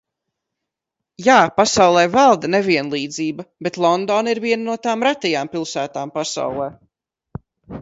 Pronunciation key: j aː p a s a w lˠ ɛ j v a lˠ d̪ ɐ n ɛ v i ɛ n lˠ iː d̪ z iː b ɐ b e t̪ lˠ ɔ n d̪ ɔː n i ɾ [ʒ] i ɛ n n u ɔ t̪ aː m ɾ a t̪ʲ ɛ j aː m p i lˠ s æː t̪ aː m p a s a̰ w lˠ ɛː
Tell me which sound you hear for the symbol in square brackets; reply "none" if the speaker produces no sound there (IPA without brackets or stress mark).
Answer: v